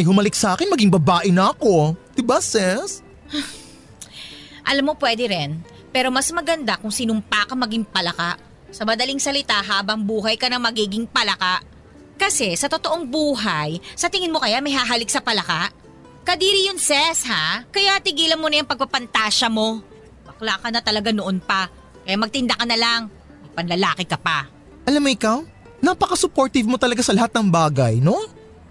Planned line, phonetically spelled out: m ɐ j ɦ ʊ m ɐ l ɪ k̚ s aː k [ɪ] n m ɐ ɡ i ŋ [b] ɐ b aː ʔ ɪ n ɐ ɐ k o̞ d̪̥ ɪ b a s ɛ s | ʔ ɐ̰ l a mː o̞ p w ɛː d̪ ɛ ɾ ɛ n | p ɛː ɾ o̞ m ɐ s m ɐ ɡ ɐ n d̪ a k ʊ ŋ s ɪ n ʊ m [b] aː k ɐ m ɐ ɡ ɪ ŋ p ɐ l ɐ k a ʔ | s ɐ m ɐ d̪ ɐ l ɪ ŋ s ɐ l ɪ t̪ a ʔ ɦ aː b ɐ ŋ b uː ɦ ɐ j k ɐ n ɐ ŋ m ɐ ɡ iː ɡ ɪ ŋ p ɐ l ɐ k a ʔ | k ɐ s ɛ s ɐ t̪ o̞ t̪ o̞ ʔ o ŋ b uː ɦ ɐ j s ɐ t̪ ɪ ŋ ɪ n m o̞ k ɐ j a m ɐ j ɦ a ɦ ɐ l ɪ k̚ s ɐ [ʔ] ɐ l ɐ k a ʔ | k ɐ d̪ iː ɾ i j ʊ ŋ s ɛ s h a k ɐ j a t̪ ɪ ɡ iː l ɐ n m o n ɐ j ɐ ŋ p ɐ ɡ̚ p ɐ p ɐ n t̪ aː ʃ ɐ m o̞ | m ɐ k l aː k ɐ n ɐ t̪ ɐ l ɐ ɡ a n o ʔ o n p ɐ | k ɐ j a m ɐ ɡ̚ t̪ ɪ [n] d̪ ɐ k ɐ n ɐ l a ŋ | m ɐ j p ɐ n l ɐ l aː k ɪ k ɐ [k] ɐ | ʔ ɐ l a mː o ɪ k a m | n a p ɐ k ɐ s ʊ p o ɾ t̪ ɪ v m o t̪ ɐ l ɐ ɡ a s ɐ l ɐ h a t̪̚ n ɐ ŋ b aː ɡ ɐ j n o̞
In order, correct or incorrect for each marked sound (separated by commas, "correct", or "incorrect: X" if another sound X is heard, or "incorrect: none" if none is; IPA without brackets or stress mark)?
correct, correct, incorrect: p, incorrect: p, correct, incorrect: p